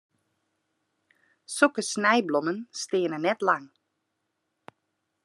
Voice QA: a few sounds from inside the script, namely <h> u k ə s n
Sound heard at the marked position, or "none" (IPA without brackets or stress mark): s